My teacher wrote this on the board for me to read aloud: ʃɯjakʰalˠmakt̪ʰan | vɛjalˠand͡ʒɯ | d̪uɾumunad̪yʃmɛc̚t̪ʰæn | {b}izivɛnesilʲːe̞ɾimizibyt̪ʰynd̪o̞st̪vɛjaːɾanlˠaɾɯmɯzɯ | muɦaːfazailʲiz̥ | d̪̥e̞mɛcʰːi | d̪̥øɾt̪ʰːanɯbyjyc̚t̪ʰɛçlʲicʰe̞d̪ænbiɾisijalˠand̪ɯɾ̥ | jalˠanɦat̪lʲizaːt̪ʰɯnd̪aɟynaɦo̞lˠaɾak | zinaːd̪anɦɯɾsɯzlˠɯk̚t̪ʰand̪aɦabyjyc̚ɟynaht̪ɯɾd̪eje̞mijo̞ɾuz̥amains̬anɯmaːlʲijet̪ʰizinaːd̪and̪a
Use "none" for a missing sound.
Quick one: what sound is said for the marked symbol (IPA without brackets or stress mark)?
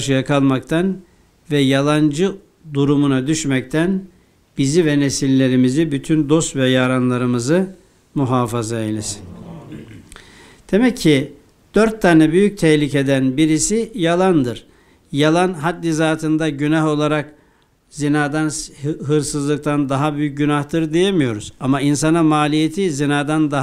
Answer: b